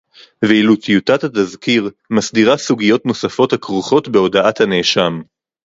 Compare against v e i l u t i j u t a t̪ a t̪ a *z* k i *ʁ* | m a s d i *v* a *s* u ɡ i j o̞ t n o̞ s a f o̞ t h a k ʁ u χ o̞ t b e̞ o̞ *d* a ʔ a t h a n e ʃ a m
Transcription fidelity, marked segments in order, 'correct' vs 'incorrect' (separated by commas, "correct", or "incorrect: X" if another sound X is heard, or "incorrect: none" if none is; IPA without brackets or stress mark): correct, correct, incorrect: ʁ, correct, correct